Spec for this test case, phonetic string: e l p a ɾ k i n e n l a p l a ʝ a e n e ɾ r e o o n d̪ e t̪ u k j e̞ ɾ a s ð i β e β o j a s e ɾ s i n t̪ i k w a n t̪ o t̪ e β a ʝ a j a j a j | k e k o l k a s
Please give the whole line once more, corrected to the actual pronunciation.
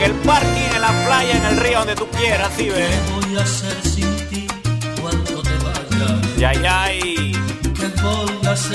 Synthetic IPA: e l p a ɾ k i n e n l a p l a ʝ a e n e l r i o o n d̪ e t̪ u k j e̞ ɾ a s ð i β e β o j a s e ɾ s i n t̪ i k w a n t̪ o t̪ e β a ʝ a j a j a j | k e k o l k a s